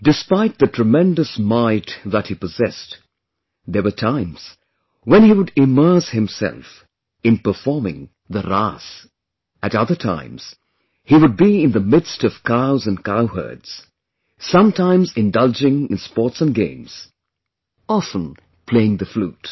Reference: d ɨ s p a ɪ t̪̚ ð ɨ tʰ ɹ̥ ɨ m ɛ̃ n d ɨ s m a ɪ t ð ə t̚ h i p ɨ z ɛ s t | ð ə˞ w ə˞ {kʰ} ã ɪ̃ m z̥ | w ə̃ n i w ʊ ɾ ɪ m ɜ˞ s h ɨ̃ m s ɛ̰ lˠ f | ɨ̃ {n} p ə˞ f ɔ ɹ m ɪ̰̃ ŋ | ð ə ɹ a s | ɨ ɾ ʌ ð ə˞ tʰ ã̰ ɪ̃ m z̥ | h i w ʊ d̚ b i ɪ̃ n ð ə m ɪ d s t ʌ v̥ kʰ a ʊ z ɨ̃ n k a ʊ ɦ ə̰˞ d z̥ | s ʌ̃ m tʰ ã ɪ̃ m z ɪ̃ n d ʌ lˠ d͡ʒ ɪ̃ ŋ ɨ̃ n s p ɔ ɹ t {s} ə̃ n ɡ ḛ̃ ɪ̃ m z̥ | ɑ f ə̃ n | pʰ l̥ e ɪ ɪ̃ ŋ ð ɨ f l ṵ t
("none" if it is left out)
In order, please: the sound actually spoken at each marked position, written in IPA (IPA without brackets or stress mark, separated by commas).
tʰ, n, s